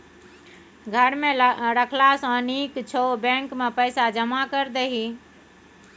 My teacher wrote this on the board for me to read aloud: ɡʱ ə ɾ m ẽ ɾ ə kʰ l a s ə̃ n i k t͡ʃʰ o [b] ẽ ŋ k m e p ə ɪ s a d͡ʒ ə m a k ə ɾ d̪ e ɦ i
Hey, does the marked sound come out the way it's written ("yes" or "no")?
yes